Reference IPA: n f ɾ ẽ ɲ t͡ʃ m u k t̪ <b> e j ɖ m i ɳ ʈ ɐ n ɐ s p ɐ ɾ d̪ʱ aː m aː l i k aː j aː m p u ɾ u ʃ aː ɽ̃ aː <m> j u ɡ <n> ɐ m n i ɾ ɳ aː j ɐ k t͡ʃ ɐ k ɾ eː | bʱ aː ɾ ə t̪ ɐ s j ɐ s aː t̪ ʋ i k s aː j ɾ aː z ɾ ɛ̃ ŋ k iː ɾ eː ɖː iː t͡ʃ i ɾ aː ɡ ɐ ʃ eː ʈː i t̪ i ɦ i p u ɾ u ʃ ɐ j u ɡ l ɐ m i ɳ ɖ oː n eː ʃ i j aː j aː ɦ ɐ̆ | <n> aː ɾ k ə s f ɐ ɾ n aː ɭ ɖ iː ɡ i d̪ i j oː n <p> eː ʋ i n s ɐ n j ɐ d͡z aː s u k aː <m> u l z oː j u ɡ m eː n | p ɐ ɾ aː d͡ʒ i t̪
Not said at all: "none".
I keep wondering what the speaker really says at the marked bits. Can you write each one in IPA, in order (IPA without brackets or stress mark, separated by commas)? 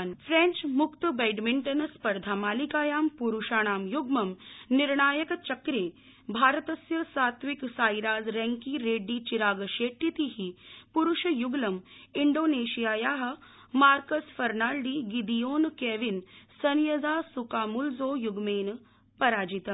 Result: b, m, m, m, k, m